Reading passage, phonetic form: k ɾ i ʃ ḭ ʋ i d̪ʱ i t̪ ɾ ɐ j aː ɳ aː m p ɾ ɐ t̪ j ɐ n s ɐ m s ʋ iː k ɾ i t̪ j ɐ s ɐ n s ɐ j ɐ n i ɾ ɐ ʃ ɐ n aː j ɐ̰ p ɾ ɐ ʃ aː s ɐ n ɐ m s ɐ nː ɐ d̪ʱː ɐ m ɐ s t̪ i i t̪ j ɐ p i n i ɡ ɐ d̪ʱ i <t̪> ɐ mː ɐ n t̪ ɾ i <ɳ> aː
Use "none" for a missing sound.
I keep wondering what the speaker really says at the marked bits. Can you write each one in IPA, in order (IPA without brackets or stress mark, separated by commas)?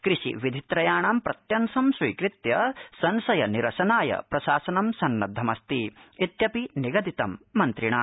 t̪, ɳ